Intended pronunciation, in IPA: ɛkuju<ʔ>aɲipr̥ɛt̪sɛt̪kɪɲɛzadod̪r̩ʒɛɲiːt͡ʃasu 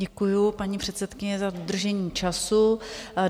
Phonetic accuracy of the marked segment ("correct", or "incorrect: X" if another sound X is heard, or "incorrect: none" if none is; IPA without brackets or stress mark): incorrect: p